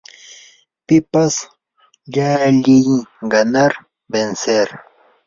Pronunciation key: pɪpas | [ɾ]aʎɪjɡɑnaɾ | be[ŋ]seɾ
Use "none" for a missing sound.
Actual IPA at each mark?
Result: ʎ, n

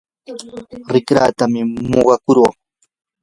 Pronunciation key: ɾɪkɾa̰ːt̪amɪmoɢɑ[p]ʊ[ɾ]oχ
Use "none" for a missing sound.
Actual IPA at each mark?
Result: k, ɾ

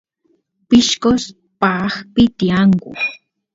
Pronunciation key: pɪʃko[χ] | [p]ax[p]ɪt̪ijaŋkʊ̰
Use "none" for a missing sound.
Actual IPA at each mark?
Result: s, p, p

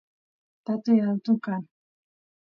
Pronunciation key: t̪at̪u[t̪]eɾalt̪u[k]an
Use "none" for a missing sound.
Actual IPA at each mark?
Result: none, k

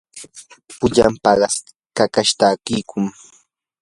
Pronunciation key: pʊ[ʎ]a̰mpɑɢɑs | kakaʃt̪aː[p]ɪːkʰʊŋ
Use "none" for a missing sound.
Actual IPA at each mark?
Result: ʎ, k

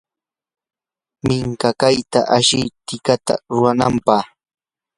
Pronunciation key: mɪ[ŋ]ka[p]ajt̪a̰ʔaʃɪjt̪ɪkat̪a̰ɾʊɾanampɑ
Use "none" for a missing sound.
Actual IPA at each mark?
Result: ŋ, k

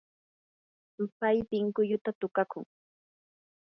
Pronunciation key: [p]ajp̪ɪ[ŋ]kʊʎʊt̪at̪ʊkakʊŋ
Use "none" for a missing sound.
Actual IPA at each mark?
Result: p, ŋ

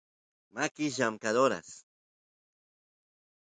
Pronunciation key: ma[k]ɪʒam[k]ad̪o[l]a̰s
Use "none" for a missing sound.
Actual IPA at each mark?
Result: k, k, ɾ

